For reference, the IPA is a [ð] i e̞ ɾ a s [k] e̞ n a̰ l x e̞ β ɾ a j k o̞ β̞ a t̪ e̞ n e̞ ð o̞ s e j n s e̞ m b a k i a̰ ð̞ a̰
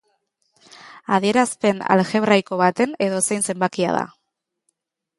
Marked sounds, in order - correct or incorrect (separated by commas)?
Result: correct, incorrect